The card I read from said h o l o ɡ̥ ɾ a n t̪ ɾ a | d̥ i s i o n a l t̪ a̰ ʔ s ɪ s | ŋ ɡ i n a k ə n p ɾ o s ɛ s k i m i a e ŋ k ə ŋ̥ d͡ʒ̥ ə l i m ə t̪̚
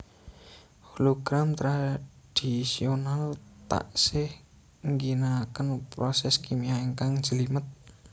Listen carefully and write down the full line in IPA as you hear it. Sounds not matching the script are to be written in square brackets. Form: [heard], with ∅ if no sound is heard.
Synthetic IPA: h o l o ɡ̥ ɾ a [m] t̪ ɾ a | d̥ i s i o n a l t̪ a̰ ʔ s ɪ [h] | ŋ ɡ i n a k ə n p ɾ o s ɛ s k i m i a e ŋ k [a] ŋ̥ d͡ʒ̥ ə l i m ə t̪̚